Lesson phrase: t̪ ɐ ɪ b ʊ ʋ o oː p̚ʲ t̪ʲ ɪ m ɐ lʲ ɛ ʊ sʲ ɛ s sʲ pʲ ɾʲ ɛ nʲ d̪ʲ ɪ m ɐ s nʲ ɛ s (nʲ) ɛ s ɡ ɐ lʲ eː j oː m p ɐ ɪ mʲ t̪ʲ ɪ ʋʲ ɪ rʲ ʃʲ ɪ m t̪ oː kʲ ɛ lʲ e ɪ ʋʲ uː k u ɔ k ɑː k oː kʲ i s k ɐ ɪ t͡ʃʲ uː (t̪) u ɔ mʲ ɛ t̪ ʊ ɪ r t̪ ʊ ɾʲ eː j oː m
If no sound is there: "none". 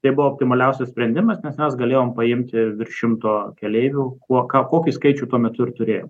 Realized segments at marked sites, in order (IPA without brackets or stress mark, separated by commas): mʲ, t̪